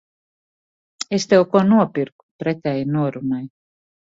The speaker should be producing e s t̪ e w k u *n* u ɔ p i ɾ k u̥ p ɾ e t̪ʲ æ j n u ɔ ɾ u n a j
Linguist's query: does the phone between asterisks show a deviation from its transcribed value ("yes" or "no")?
no